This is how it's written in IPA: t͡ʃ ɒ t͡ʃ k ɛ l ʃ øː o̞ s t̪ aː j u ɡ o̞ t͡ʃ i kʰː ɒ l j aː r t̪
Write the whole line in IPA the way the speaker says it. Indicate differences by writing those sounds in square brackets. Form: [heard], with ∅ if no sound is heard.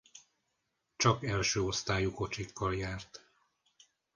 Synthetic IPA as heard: t͡ʃ ɒ [∅] k ɛ l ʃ øː o̞ s t̪ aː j u [k] o̞ t͡ʃ i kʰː ɒ l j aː r t̪